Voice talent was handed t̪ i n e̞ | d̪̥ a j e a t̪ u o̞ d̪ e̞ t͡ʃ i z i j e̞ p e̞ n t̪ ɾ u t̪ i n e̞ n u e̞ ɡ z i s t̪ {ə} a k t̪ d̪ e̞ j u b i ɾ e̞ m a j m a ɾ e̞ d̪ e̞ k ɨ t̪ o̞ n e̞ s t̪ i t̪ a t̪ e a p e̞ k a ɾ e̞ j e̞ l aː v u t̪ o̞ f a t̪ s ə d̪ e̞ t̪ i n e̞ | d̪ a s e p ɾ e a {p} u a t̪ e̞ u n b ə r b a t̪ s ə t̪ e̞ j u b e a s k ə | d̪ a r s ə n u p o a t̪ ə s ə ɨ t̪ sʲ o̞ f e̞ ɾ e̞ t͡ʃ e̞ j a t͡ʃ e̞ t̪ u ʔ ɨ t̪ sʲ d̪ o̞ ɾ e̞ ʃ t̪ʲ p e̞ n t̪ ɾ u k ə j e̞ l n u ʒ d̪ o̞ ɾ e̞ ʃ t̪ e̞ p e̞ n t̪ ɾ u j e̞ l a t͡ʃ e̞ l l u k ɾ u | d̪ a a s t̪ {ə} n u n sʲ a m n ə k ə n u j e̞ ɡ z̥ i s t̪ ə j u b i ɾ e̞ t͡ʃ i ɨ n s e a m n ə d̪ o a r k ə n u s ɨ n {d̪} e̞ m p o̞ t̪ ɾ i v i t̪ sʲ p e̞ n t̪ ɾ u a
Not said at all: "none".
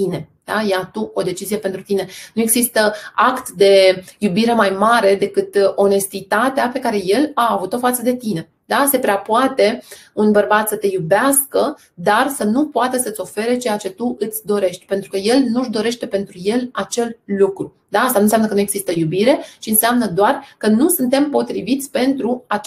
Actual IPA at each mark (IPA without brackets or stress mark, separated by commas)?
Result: ə, p, a, t̪